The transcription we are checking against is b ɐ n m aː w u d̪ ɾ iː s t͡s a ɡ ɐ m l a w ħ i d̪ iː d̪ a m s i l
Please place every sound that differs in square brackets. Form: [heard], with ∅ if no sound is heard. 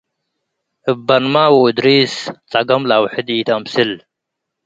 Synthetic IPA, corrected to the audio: b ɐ n m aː w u d̪ ɾ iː s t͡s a ɡ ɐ m l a w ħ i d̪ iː [t̪] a m s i l